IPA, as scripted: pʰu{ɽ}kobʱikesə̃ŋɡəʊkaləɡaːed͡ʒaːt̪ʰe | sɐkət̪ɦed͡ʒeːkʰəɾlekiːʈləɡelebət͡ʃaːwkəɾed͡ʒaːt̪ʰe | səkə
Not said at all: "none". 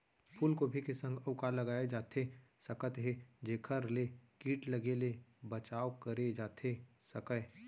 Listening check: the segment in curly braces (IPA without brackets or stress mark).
l